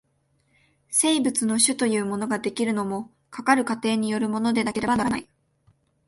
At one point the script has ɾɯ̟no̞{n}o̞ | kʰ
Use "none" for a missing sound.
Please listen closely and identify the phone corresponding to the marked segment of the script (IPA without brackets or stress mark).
m